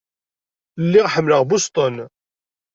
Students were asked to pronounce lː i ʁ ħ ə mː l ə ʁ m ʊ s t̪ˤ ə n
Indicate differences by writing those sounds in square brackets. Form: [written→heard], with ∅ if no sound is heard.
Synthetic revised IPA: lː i ʁ ħ ə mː l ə ʁ [m→b] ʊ s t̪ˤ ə n